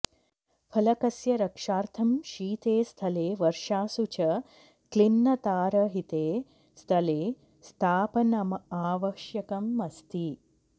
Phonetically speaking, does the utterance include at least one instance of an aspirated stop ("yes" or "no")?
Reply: yes